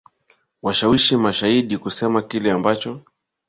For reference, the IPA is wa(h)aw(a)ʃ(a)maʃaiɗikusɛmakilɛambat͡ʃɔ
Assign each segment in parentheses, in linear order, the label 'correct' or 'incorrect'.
incorrect, incorrect, incorrect

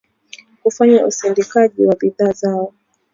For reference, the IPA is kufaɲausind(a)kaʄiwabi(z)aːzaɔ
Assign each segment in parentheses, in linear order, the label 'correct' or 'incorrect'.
incorrect, incorrect

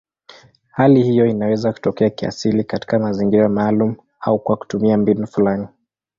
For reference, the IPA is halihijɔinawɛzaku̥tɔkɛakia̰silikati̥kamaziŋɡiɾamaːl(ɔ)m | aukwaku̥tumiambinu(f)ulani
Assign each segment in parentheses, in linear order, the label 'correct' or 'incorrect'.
incorrect, correct

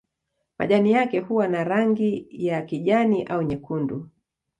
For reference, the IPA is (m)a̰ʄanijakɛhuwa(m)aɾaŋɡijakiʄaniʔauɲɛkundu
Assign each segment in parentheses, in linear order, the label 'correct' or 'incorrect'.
correct, incorrect

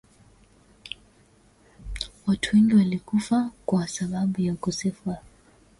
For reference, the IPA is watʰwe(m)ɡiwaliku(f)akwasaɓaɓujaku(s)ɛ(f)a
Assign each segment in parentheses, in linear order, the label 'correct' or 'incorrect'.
incorrect, correct, correct, correct

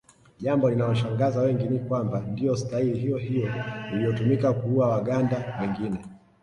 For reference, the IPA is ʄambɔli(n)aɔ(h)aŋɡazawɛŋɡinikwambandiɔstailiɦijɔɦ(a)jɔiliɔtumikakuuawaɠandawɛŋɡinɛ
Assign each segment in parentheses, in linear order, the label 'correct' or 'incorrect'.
correct, incorrect, incorrect

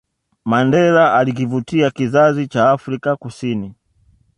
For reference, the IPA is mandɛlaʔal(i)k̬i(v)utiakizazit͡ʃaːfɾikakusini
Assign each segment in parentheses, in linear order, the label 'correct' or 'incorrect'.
correct, correct

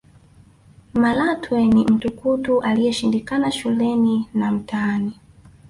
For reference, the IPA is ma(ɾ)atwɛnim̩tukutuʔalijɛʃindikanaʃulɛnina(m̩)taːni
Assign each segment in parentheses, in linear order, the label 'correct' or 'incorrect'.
incorrect, correct

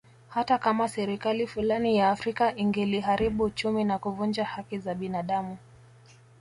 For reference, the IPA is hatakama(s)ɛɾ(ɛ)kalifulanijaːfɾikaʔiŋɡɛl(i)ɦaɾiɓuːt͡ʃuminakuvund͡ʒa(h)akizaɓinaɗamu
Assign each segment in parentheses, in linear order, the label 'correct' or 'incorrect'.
correct, incorrect, correct, correct

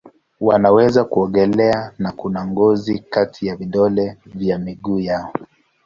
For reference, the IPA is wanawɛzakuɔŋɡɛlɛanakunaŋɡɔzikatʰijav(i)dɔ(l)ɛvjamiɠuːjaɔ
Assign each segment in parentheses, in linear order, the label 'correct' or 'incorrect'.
correct, correct

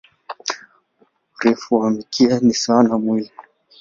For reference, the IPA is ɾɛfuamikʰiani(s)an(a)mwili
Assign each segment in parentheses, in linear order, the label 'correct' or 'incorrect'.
correct, correct

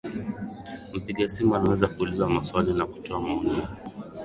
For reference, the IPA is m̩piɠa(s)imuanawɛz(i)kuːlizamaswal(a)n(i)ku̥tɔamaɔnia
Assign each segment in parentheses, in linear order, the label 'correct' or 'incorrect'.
correct, incorrect, incorrect, incorrect

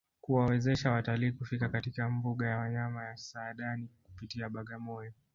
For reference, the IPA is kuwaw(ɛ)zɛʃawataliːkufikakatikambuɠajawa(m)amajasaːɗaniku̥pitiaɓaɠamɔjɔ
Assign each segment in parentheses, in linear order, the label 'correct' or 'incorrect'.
correct, incorrect

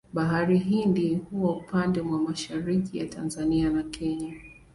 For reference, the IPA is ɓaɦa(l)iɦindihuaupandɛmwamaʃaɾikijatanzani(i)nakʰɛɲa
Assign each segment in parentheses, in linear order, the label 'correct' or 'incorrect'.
incorrect, incorrect

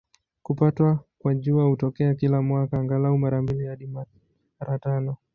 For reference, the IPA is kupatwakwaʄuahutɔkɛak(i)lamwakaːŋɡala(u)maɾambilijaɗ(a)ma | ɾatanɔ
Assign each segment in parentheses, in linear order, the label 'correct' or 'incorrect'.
correct, correct, incorrect

